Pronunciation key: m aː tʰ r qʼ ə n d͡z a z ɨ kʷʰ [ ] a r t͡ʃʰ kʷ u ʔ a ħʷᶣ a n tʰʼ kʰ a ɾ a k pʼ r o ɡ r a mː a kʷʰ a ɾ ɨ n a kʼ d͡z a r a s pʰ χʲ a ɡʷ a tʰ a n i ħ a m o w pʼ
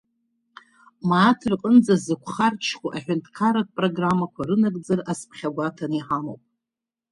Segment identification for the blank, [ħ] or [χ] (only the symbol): χ